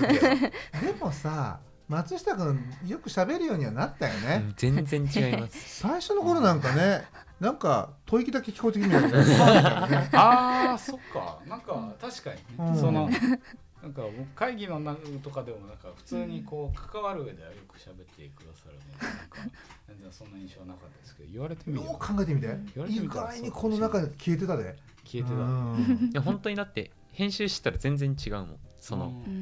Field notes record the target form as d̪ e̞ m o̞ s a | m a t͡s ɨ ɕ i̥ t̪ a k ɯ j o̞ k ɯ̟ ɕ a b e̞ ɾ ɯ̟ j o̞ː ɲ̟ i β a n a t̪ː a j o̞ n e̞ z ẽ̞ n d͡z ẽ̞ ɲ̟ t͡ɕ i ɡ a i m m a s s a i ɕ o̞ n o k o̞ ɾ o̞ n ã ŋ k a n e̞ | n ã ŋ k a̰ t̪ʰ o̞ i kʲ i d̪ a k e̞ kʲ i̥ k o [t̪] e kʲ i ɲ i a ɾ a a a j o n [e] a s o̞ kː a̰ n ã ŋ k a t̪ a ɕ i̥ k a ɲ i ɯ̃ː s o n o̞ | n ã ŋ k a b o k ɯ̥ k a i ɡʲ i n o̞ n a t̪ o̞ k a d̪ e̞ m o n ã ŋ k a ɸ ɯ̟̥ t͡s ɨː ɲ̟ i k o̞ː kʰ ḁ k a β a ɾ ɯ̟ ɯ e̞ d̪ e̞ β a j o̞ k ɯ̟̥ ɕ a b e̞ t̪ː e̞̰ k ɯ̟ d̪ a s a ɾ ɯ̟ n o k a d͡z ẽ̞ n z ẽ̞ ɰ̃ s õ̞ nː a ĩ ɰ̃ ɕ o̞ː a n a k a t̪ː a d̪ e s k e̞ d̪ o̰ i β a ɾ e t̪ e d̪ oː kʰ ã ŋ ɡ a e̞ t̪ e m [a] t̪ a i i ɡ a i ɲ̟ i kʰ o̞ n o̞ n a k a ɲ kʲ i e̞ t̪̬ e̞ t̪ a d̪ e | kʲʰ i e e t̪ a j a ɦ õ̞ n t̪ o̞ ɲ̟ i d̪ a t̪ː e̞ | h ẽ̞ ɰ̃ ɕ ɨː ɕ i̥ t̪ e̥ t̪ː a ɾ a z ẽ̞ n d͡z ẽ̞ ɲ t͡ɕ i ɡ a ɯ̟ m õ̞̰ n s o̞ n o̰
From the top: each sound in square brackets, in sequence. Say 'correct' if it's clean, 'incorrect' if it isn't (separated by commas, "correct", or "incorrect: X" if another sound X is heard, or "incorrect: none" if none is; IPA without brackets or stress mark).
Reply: correct, correct, incorrect: i